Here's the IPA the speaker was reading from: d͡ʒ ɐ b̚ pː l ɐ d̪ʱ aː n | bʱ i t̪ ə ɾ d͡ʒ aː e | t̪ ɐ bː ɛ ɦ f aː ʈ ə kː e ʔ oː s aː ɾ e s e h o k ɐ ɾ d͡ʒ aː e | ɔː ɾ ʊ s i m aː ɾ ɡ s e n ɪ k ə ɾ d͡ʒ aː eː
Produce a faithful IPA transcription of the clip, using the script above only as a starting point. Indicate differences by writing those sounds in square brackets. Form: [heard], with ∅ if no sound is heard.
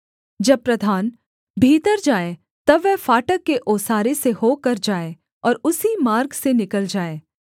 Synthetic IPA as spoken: d͡ʒ ɐ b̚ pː [ɾ] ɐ d̪ʱ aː n | bʱ [iː] t̪ ə ɾ d͡ʒ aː e | t̪ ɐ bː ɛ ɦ f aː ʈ ə kː e ʔ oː s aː ɾ e s e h o k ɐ ɾ d͡ʒ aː e | ɔː ɾ ʊ s i m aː ɾ ɡ s e n ɪ k ə [l] d͡ʒ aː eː